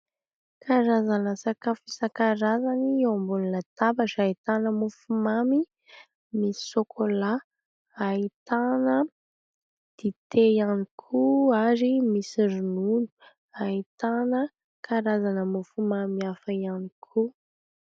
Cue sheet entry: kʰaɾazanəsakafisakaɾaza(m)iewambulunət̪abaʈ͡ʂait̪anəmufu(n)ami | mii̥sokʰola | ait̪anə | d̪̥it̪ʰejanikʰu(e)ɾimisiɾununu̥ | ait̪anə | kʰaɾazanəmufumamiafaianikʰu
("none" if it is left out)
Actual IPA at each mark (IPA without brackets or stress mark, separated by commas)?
n, m, a